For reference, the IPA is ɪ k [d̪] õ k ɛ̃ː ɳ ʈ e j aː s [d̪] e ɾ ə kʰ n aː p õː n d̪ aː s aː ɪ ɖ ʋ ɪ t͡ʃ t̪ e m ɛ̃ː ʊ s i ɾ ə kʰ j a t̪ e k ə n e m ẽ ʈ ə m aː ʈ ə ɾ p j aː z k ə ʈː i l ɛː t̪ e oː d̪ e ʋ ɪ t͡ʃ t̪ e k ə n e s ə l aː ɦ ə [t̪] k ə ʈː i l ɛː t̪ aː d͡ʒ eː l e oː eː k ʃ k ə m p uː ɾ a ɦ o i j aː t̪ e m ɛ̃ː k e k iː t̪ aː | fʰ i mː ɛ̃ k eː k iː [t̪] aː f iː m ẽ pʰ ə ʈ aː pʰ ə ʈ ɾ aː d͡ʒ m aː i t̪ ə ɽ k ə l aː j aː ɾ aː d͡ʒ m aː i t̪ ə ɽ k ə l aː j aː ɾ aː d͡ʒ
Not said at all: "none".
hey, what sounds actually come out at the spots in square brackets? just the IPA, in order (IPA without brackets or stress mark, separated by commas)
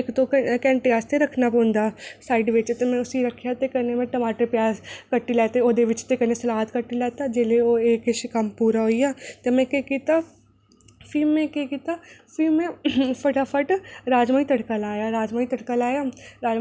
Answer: t̪, t̪, t̪, t̪